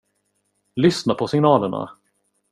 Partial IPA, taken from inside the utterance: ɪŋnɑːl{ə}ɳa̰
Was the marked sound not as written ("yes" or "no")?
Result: no